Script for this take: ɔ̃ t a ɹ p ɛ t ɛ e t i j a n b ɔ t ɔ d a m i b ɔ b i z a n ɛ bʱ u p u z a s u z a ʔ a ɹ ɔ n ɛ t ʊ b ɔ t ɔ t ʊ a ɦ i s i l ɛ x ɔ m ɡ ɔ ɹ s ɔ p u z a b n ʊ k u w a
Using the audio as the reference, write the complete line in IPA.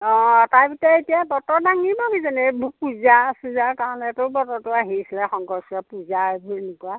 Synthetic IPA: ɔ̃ t a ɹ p i t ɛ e t i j a b ɔ t ɔ d a ŋ i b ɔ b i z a n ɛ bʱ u p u z a s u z a k a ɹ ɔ n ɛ t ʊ b ɔ t ɔ t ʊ a ɦ i s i l ɛ x ɔ ŋ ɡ ɔ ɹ s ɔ p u z a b n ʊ k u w a

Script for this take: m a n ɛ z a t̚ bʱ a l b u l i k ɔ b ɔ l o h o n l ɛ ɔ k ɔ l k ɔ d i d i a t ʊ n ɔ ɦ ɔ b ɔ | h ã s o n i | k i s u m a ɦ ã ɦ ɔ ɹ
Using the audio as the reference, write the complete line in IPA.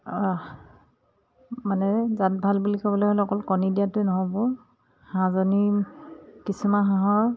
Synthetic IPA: m a n ɛ z a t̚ bʱ a l b u l i k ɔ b ɔ l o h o l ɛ ɔ k ɔ l k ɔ n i d i a t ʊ n ɔ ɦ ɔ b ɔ | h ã z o n i | k i s u m a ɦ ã ɦ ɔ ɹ

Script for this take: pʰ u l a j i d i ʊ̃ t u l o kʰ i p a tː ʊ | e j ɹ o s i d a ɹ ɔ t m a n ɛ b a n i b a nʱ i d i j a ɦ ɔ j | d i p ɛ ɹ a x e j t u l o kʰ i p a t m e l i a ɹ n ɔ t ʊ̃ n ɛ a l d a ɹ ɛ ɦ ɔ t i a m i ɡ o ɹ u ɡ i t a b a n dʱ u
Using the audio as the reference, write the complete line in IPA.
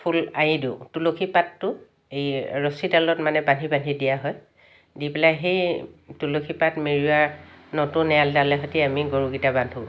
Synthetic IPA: pʰ u l a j i d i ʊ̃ t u l o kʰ i p a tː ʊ | e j ɹ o s i d a l ɔ t m a n ɛ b a n i b a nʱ i d i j a ɦ ɔ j | d i p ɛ l a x e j t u l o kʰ i p a t m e ɹ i a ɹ n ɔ t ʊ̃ n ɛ a l d a l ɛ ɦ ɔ t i a m i ɡ o ɹ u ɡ i t a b a n dʱ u

